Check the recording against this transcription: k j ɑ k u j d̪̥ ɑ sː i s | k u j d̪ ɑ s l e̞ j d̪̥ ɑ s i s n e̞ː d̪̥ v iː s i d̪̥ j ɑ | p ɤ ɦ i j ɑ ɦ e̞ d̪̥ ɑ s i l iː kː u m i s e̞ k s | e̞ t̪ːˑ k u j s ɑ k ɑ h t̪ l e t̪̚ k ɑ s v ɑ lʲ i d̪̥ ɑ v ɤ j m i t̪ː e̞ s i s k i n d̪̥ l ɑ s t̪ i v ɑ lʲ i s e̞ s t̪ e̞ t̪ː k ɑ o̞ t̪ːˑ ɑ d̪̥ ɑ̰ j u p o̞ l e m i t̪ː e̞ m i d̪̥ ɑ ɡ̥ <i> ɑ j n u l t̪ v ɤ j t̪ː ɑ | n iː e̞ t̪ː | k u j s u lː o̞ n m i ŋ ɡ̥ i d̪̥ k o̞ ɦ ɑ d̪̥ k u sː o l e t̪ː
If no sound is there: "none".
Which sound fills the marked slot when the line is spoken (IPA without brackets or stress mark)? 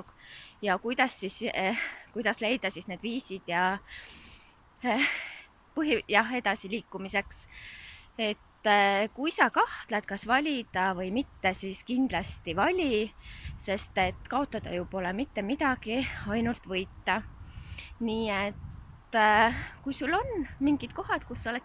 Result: i